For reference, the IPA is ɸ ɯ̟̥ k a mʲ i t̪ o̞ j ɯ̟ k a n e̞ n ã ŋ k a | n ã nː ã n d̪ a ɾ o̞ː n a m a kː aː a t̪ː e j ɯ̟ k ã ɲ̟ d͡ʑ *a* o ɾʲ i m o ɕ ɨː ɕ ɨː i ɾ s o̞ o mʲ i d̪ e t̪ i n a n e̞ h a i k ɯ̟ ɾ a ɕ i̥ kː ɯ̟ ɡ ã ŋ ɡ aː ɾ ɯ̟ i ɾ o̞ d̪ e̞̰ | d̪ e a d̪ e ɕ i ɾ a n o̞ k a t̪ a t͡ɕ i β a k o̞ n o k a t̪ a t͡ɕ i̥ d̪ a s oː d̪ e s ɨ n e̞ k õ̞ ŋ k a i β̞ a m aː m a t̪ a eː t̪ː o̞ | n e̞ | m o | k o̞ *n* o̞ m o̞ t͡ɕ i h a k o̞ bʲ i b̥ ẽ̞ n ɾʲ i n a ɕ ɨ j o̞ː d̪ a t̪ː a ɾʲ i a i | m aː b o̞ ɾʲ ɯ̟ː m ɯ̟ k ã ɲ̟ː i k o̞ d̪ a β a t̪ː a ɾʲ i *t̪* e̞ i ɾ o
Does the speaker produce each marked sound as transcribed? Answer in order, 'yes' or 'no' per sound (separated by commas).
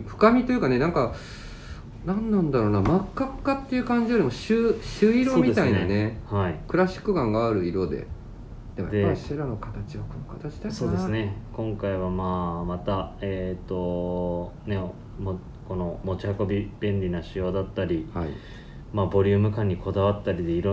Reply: no, yes, no